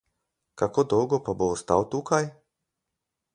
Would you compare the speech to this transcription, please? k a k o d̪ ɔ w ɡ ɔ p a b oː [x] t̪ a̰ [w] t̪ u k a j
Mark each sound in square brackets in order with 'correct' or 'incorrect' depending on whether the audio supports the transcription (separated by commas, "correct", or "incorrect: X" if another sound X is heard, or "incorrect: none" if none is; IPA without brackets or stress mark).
incorrect: s, correct